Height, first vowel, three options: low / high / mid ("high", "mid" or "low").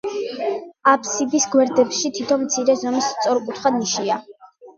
low